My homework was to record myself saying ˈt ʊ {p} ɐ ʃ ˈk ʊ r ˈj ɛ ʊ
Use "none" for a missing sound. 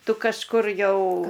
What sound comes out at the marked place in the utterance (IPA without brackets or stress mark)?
k